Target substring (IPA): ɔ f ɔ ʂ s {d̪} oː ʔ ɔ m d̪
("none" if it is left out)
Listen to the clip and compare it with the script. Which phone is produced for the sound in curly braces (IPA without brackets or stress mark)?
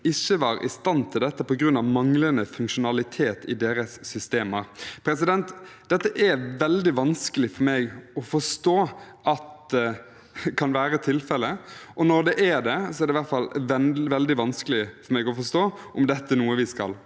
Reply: t̪